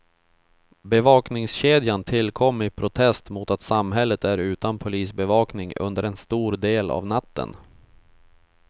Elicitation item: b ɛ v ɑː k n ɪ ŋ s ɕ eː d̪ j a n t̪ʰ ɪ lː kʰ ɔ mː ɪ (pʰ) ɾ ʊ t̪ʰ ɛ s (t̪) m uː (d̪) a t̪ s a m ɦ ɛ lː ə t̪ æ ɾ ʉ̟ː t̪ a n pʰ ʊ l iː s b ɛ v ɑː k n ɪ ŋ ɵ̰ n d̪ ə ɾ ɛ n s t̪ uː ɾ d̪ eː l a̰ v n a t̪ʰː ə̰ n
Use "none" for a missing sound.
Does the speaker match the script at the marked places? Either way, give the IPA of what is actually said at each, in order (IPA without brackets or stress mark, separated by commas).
pʰ, t̪, t̪